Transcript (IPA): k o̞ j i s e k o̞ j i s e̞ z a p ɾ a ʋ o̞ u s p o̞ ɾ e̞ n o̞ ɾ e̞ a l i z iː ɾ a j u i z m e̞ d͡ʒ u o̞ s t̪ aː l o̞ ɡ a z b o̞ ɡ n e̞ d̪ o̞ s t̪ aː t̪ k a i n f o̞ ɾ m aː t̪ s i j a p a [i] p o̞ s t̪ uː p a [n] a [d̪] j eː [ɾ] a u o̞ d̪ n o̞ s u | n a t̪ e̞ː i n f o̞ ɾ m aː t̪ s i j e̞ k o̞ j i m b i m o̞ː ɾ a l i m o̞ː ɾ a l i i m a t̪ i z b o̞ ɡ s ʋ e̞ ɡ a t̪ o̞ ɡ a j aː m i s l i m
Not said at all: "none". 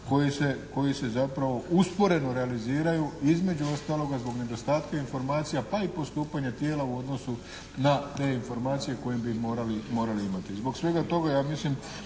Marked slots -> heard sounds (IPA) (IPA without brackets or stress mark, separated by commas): i, ɲ, t̪, l